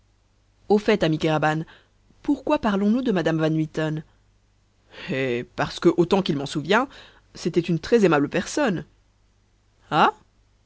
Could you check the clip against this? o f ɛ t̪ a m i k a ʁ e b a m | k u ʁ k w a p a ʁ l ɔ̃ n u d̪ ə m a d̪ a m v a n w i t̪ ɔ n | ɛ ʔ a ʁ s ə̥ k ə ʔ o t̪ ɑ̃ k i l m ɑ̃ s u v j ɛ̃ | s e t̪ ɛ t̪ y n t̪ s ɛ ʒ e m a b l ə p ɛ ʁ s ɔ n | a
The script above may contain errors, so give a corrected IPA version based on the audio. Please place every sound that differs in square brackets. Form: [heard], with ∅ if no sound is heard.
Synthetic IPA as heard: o f ɛ t̪ a m i k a ʁ [a] b a [n] | [p] u ʁ k w a p a ʁ l ɔ̃ n u d̪ ə m a d̪ a m v a n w i t̪ ɔ n | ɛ [p] a ʁ s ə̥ k ə ʔ o t̪ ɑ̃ k i l m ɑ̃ s u v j ɛ̃ | s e t̪ ɛ t̪ y n t̪ [χ] ɛ [z] e m a b l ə p ɛ ʁ s ɔ n | a